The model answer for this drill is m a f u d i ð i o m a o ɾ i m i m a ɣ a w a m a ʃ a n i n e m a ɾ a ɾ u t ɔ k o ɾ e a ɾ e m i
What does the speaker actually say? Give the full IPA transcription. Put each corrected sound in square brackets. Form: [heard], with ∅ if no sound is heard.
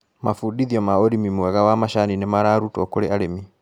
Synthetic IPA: m a f u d i ð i [ɔ] m a o ɾ i m i m [ɛ] ɣ a w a m a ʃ a n i n e m a ɾ a ɾ u t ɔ k o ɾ e a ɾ e m i